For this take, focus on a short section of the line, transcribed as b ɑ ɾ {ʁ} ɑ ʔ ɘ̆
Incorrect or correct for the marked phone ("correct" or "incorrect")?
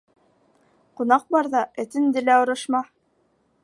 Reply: incorrect